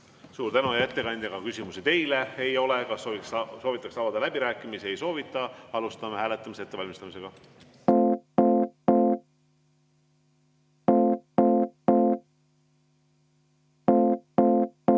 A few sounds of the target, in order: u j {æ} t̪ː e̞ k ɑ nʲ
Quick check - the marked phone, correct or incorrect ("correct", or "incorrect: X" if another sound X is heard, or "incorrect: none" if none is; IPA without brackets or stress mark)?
correct